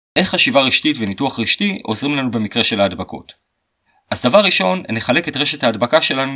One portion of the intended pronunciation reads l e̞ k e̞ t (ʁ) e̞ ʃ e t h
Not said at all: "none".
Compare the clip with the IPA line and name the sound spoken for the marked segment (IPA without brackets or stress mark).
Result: ʁ